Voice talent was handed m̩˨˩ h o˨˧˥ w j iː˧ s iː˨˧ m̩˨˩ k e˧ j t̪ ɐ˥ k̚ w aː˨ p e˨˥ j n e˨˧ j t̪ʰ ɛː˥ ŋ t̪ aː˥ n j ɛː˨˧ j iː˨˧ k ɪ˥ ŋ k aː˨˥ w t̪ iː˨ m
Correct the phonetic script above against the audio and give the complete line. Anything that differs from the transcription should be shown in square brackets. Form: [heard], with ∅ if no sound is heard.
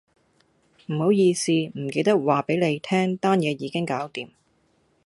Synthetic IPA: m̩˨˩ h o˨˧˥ w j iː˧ s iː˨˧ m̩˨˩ k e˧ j t̪ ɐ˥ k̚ w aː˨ p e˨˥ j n e˨˧ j t̪ʰ ɛː˥ ŋ t̪ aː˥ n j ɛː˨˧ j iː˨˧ k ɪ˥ ŋ k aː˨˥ w t̪ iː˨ m